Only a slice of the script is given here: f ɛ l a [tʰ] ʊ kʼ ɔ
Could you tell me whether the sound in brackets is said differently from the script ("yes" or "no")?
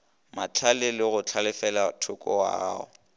no